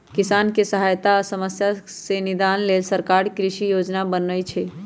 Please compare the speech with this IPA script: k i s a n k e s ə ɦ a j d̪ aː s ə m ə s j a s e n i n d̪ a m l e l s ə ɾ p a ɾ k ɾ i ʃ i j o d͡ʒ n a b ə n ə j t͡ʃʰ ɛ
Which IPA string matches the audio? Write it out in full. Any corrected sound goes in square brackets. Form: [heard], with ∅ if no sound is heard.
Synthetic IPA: k i s a n k e s ə ɦ a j [t̪] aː s ə m ə s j a s e n i [∅] d̪ a [n] l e l s ə ɾ [k] a ɾ k ɾ i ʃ i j o d͡ʒ n a b ə n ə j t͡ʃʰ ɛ

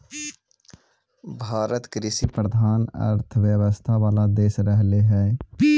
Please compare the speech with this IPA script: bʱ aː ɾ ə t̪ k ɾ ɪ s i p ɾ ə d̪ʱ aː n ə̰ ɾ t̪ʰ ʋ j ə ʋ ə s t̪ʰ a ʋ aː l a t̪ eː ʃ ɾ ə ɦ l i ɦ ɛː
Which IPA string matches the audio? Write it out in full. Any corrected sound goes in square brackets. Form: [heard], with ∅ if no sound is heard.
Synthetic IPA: bʱ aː ɾ ə t̪ k ɾ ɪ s i p ɾ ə d̪ʱ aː n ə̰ ɾ t̪ʰ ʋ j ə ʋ ə s t̪ʰ a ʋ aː l a [d̪] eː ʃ ɾ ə ɦ l [e] ɦ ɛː

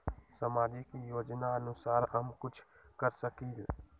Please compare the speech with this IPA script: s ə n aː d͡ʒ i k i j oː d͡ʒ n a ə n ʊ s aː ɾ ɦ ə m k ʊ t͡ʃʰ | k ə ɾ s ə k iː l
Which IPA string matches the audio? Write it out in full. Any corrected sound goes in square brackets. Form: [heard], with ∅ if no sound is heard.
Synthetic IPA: s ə [m] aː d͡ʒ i k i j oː d͡ʒ n a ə n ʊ s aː ɾ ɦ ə m k ʊ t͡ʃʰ | k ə ɾ s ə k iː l

